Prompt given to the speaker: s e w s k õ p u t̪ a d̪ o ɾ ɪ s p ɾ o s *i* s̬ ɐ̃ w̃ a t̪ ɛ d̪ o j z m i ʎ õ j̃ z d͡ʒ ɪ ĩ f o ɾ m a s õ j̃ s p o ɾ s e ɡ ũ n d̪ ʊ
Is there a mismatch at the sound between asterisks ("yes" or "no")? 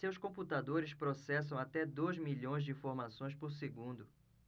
yes